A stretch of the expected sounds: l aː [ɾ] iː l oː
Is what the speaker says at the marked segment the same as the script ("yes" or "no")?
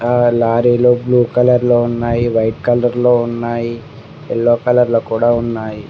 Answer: yes